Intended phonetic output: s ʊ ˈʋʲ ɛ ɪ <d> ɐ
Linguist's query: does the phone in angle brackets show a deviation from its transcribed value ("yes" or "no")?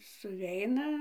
yes